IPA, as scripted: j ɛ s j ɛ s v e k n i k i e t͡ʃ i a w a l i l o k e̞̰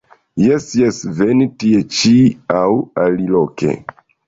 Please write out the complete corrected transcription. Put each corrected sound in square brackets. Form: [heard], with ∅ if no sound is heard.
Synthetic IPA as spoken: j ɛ s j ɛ s v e [∅] n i [t] i e t͡ʃ i a w a l i l o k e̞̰